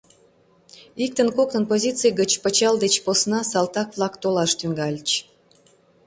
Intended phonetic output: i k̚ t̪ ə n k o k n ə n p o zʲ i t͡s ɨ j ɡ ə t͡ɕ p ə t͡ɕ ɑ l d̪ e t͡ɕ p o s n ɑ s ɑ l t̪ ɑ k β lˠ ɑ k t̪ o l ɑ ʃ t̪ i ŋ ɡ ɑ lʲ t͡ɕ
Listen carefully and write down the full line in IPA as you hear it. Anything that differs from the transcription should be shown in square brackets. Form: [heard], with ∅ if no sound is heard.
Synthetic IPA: i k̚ t̪ ə n k o k n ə n p o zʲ i t͡s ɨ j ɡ ə t͡ɕ p ə t͡ɕ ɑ l d̪ e t͡ɕ p o s n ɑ s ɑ l t̪ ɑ k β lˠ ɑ k t̪ o l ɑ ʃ t̪ [y] ŋ ɡ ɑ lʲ t͡ɕ